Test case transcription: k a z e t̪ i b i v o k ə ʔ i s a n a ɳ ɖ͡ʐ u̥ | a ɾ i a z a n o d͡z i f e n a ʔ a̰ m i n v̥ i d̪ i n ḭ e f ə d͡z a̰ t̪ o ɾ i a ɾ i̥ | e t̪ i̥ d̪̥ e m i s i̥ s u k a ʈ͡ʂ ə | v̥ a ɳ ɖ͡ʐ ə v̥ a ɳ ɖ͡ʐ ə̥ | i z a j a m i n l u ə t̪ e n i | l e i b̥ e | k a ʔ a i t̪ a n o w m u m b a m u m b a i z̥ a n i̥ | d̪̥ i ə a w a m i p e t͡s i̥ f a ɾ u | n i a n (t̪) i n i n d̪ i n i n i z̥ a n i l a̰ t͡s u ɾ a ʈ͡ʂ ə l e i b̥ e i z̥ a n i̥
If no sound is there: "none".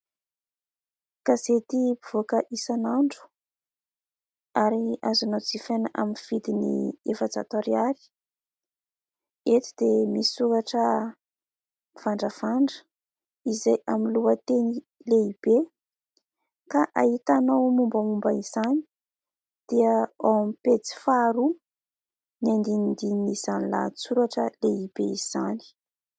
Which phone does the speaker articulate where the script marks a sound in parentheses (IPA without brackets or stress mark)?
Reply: d̪